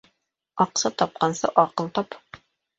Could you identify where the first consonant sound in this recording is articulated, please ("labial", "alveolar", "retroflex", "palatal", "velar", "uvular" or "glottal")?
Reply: uvular